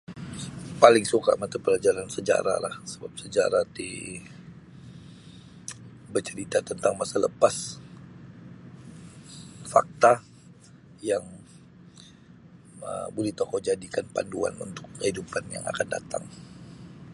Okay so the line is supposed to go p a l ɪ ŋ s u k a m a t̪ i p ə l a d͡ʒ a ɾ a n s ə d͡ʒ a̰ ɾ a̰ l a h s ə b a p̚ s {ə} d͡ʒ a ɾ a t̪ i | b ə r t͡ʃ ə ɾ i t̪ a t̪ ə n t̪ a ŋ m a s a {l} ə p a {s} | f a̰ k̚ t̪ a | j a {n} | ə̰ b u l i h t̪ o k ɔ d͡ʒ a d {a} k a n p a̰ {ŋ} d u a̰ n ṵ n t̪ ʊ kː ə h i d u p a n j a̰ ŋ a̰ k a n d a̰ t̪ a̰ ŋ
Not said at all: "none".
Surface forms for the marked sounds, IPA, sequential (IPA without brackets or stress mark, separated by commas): ə, l, s, ŋ, i, n